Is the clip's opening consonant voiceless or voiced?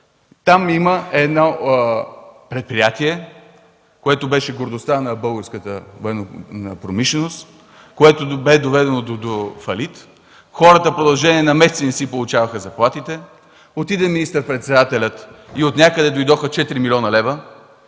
voiceless